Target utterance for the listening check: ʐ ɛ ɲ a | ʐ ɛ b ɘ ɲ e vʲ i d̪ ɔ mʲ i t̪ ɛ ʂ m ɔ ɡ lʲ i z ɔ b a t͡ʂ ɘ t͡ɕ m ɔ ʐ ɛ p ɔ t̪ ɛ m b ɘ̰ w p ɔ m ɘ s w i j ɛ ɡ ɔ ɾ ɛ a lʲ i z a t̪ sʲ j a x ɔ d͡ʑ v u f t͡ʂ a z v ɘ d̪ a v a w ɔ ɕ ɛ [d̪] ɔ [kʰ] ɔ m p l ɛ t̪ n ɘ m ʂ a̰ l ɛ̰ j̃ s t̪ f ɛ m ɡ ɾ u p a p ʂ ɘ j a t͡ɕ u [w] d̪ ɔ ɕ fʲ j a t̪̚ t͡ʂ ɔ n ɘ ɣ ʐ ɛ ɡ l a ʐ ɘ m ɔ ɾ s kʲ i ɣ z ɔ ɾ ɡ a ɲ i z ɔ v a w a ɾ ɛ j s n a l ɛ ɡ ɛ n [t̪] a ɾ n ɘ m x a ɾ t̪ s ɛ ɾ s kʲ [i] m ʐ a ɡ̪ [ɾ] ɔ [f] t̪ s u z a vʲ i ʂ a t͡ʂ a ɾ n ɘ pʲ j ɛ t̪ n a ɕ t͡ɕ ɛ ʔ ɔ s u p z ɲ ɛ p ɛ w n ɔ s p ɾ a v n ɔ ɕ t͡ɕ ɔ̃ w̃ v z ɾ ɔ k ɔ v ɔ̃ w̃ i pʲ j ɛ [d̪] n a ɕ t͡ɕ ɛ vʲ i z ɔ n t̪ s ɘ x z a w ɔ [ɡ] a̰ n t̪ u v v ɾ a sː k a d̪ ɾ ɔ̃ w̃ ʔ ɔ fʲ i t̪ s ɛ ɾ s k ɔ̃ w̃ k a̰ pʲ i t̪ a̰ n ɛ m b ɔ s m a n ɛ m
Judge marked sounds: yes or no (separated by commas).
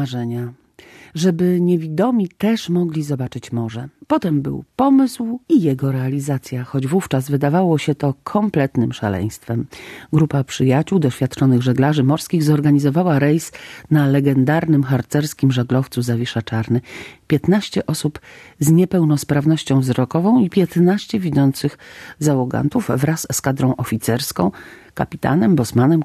no, yes, yes, no, yes, no, yes, no, yes